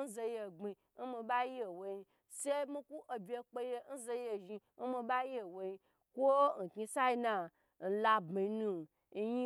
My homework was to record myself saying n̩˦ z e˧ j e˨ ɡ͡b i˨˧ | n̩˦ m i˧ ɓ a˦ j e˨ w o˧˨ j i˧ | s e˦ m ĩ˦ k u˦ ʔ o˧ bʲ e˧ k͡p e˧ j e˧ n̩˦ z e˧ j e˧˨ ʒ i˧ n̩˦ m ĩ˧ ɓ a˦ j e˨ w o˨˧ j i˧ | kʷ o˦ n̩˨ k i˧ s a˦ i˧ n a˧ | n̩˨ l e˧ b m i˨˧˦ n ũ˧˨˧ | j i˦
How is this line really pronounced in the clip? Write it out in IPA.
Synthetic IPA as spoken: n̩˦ z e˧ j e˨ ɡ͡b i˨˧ | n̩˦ m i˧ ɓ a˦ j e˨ w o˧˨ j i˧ | s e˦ m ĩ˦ k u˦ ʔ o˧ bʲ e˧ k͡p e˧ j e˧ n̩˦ z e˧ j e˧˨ ʒ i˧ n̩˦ m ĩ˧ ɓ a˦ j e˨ w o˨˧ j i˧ | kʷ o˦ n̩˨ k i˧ s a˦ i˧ n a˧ | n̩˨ l a˧ b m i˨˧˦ n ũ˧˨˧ | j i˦